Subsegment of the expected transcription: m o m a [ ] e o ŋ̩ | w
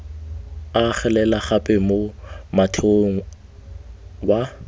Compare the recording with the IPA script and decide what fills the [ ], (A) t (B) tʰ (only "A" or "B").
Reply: B